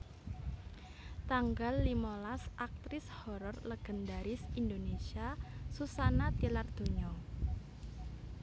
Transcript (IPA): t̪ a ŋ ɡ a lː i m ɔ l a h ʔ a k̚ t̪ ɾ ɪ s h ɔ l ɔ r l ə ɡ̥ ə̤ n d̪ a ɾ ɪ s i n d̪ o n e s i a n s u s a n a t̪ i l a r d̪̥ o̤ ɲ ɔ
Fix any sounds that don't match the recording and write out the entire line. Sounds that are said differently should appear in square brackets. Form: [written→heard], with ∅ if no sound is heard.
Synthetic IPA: t̪ a ŋ ɡ a lː i m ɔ l a [h→s] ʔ a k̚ t̪ ɾ ɪ s h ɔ [l→ɾ] ɔ r l ə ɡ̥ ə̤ n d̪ a ɾ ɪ s i n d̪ o n e s i a [n→∅] s u s a n a t̪ i l a r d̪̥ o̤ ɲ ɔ